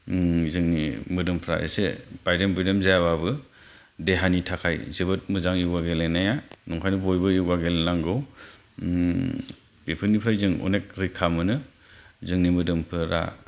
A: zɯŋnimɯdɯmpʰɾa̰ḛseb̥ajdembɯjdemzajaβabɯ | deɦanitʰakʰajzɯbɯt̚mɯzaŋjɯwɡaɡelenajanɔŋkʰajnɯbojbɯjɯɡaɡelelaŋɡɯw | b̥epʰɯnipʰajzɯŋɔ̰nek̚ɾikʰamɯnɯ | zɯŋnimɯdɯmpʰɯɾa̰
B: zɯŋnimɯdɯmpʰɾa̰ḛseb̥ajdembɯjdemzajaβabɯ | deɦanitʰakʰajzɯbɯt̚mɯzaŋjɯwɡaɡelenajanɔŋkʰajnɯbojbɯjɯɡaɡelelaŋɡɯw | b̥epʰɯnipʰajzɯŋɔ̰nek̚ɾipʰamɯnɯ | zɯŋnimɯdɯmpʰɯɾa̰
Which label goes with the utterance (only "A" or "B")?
A